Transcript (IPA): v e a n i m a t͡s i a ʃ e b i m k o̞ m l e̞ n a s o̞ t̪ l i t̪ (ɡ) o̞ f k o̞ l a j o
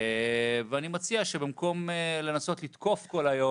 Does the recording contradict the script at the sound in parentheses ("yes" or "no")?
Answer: yes